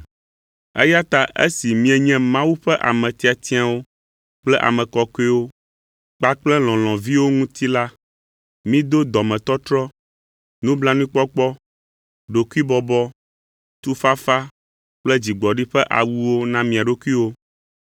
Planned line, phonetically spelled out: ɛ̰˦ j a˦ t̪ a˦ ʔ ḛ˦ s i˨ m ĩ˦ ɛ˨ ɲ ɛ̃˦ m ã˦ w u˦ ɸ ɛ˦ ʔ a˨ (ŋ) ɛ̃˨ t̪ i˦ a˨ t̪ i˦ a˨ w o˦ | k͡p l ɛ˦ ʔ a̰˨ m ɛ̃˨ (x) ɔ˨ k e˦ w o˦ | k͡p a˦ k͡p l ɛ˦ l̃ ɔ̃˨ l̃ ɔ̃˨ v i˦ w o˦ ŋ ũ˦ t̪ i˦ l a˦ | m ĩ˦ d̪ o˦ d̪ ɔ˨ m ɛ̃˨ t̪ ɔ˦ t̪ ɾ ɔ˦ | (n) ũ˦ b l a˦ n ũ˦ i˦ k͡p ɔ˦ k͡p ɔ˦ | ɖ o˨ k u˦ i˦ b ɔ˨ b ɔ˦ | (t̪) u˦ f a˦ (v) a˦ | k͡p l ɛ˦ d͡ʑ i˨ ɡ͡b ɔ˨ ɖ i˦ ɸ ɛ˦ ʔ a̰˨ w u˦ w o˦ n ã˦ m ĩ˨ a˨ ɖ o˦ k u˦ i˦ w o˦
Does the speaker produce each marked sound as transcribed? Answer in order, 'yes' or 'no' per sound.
no, no, yes, yes, no

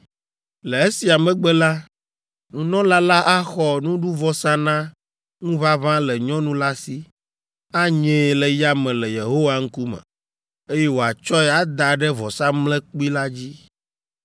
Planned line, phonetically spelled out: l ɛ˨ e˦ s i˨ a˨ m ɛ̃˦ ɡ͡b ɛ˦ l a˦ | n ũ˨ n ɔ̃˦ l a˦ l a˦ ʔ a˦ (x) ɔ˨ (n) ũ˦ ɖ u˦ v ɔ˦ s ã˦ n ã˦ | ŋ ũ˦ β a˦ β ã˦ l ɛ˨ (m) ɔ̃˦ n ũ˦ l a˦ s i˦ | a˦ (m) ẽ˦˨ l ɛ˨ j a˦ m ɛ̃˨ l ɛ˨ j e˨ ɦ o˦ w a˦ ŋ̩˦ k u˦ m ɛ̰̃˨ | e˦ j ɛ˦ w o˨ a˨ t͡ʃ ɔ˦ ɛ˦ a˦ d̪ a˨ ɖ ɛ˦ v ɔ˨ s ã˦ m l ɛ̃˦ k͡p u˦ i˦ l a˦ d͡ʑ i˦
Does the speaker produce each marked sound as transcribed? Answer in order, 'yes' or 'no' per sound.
yes, yes, no, no

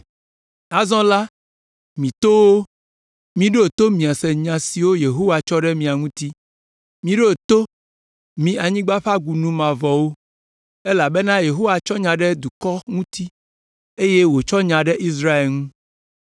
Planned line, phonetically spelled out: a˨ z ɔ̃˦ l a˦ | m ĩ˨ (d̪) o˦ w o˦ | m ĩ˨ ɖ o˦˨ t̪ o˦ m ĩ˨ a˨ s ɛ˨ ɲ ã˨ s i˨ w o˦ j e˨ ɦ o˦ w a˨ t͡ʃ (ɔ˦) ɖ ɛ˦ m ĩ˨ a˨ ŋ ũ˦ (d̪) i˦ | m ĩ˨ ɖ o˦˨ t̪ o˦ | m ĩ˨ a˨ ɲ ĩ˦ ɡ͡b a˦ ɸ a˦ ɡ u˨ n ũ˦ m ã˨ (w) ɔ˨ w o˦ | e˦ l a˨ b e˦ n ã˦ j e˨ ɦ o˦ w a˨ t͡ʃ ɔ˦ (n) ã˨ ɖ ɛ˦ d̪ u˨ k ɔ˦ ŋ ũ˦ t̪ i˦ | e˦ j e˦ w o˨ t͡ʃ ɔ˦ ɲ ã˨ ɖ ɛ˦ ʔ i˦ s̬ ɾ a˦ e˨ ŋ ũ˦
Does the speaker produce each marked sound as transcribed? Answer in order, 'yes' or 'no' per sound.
no, yes, no, no, no

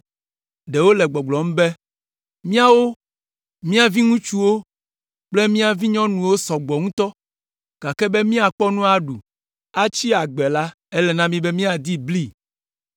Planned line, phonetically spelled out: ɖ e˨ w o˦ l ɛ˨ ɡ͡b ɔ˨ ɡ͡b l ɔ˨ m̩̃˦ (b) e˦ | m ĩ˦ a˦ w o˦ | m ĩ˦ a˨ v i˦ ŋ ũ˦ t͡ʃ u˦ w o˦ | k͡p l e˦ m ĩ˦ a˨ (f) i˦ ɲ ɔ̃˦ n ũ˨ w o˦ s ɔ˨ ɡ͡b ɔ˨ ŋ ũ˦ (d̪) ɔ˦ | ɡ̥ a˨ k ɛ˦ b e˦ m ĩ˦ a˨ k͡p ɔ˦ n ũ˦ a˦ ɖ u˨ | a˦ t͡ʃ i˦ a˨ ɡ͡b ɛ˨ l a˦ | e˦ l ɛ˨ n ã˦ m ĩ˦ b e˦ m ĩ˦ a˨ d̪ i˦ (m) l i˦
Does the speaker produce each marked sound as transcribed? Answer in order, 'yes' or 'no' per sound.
yes, no, no, no

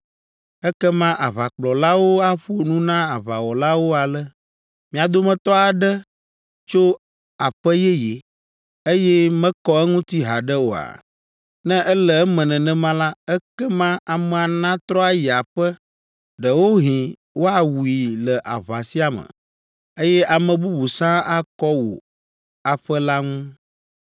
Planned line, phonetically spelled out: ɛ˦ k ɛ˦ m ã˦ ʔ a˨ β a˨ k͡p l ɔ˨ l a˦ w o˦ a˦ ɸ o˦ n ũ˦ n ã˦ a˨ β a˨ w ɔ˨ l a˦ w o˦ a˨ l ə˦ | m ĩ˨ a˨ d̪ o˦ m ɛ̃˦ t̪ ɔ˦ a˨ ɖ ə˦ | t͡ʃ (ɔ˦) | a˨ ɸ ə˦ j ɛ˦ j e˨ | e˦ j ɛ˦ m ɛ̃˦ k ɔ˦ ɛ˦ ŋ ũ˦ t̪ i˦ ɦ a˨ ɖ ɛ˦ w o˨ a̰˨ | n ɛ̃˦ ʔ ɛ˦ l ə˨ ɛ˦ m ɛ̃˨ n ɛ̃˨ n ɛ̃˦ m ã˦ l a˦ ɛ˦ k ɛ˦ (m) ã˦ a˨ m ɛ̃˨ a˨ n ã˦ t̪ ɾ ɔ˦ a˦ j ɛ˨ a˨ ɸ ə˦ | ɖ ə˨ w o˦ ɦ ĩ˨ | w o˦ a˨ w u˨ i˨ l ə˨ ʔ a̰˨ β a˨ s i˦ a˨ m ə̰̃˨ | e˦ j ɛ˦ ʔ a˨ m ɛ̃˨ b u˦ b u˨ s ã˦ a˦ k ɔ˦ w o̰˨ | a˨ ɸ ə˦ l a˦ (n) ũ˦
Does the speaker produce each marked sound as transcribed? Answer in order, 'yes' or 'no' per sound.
no, yes, no

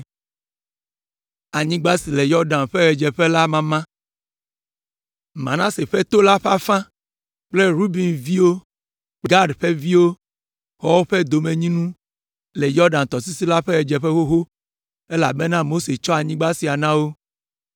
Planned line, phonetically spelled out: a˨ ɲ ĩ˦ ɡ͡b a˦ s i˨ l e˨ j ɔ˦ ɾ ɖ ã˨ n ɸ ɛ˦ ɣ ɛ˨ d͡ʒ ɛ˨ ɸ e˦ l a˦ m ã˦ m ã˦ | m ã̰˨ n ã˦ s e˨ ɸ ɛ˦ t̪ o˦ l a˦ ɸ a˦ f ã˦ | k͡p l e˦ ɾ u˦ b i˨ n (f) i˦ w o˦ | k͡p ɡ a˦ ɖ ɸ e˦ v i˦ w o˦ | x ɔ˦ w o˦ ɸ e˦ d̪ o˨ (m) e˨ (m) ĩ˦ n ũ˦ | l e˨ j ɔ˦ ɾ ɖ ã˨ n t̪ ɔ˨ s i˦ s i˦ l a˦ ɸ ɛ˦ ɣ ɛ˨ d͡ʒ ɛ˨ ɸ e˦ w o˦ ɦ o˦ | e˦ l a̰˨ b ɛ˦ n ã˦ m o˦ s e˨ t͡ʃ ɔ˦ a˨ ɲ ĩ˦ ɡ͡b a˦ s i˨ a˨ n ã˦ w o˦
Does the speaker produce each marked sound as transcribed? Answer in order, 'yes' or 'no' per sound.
no, yes, no

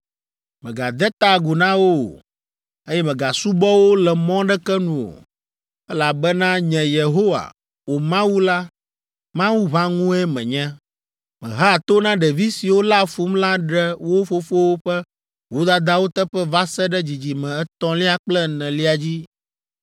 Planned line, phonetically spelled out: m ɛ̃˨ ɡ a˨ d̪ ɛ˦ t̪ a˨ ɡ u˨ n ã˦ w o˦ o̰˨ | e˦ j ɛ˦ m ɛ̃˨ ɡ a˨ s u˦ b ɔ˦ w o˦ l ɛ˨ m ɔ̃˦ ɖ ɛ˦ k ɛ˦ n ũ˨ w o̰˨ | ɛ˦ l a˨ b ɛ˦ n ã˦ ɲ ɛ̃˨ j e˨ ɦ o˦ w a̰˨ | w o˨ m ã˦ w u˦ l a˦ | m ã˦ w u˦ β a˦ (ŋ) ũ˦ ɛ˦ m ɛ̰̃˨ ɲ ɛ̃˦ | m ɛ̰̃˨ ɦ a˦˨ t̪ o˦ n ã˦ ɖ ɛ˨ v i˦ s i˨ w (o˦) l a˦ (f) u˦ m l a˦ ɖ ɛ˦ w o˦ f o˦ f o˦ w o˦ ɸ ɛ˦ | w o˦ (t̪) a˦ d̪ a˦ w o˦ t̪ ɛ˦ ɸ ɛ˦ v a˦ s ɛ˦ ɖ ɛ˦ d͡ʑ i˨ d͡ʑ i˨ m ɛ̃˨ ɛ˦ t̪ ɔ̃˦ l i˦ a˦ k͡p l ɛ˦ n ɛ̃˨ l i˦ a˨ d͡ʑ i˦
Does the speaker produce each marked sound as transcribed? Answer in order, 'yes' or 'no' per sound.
yes, yes, yes, no

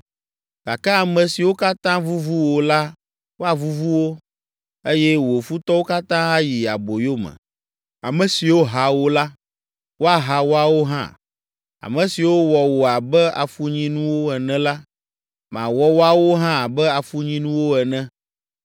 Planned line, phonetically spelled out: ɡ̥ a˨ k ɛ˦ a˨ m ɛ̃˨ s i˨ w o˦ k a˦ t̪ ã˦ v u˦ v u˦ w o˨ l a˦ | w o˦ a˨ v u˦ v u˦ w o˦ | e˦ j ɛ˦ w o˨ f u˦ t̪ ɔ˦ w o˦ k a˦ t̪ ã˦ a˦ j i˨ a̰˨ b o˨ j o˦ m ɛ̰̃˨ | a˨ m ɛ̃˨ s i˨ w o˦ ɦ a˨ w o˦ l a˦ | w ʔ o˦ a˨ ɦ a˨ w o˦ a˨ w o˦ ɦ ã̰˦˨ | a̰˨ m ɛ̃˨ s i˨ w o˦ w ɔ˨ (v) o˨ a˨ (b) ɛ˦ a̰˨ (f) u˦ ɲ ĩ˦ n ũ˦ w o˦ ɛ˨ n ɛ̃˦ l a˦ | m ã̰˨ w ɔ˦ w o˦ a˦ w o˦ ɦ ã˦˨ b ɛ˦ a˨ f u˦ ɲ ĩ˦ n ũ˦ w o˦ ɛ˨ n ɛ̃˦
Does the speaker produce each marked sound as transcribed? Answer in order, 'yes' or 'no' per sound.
no, yes, yes

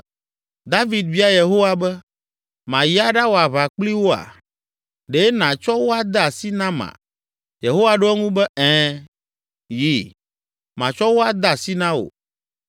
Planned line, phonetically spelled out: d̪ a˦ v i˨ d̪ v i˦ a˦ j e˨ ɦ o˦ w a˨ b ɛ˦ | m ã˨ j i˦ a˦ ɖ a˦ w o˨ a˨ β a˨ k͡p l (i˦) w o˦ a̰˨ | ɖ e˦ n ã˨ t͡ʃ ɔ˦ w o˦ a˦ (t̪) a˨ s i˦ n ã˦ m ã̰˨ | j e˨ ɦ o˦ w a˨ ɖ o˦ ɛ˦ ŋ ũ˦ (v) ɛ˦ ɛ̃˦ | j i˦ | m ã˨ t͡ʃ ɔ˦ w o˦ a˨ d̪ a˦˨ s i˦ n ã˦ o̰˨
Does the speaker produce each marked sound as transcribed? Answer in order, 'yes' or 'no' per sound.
yes, no, no

